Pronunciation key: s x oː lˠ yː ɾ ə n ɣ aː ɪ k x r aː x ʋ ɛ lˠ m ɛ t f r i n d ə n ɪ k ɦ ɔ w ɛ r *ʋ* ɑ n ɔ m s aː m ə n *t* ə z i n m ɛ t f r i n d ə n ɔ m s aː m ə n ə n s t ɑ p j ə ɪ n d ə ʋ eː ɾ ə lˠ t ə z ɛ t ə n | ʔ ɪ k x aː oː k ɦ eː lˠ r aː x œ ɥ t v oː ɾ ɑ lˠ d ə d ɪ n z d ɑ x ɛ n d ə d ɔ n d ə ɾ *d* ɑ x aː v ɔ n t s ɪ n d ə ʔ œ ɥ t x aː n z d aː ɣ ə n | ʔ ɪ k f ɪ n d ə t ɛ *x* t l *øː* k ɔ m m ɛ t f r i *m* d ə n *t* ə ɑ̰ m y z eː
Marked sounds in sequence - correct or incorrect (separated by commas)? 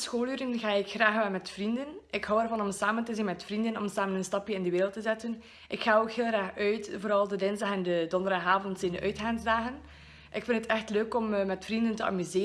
incorrect, correct, correct, correct, correct, incorrect, correct